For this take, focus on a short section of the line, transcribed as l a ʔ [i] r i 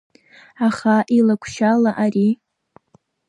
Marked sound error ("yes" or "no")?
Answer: yes